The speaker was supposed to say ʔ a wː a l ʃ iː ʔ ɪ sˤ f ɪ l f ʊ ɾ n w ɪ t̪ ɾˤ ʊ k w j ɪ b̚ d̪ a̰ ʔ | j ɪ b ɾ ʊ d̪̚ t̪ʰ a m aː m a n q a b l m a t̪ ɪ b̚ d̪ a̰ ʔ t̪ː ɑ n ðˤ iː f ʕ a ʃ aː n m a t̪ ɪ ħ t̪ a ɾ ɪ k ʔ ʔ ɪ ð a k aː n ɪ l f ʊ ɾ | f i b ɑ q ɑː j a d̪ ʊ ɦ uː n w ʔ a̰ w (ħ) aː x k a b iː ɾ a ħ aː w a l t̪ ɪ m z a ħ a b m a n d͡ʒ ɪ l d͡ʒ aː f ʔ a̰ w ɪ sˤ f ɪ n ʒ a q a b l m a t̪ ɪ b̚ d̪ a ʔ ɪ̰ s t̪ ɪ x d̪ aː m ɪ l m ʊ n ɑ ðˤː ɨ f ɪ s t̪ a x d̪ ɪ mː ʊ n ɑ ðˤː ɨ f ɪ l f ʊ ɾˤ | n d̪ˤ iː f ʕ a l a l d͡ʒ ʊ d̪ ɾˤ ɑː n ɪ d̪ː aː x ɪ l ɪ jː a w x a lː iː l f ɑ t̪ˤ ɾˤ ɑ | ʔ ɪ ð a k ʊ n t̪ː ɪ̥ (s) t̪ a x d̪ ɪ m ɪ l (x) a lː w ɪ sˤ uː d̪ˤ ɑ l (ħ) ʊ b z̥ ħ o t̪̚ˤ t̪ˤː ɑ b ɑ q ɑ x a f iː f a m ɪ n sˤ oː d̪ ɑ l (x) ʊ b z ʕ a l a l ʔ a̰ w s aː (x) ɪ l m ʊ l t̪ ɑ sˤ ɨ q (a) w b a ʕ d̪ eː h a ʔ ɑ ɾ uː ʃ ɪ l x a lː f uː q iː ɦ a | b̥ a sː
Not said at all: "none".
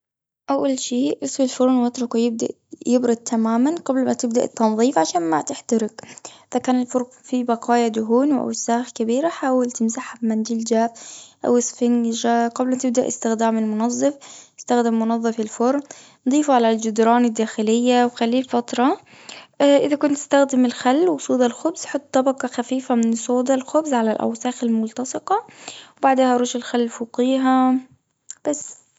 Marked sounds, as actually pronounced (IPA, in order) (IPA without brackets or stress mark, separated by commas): s, s, x, x, x, x, ɑ